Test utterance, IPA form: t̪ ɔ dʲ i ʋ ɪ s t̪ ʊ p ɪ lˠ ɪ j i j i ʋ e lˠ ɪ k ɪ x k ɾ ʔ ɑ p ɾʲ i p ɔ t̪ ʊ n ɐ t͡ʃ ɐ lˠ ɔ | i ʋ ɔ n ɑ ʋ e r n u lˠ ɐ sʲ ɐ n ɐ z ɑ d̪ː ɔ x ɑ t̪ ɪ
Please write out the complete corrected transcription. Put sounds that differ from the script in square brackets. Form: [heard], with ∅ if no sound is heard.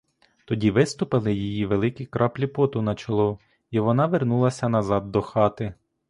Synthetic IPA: t̪ ɔ dʲ i ʋ ɪ s t̪ ʊ p ɪ lˠ ɪ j i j i ʋ e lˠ ɪ k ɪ [∅] k ɾ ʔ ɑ p [lʲ] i p ɔ t̪ ʊ n ɐ t͡ʃ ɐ lˠ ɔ | i ʋ ɔ n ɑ ʋ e r n u lˠ ɐ sʲ ɐ n ɐ z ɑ d̪ː ɔ x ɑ t̪ ɪ